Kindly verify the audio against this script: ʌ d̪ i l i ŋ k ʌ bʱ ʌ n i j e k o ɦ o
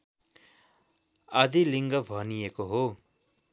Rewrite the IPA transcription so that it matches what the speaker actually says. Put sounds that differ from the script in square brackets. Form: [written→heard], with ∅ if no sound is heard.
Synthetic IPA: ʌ d̪ i l i ŋ [k→ɡ] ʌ bʱ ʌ n i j e k o ɦ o